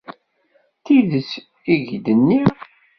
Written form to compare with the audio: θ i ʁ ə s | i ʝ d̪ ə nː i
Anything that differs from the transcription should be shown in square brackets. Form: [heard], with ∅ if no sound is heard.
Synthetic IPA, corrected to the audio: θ i [ð] ə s | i ʝ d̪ ə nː i